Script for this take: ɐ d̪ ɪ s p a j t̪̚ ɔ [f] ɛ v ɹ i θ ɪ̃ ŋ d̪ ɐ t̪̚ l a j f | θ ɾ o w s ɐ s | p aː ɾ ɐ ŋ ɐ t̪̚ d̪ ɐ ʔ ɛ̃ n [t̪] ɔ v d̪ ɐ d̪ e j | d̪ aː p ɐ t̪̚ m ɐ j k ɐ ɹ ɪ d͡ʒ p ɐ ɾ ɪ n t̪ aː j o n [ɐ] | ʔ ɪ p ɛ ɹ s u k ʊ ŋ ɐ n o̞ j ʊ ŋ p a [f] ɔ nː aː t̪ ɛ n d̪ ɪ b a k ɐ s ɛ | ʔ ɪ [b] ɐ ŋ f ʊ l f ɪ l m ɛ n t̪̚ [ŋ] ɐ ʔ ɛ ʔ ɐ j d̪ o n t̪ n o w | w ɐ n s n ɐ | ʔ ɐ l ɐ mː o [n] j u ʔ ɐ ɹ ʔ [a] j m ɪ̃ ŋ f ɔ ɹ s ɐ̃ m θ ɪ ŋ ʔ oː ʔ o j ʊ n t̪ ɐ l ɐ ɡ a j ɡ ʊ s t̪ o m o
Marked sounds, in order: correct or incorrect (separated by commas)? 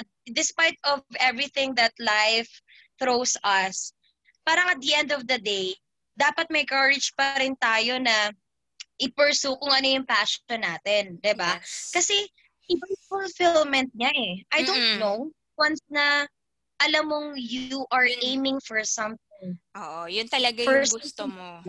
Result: incorrect, incorrect, correct, incorrect, correct, incorrect, incorrect, incorrect